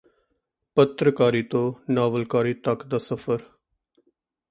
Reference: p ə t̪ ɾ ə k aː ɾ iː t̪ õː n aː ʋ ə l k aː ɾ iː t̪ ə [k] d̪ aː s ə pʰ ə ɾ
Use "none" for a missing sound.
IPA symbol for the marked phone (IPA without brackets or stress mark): k